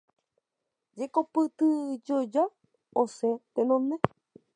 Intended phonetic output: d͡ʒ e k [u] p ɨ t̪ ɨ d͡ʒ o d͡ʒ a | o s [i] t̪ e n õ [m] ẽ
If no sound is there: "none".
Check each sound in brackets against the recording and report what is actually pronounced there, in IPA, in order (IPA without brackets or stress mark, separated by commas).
o, e, n